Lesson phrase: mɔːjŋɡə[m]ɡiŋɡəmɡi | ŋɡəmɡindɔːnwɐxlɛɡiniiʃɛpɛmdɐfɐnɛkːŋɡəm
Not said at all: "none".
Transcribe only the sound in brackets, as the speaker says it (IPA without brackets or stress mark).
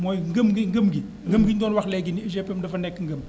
m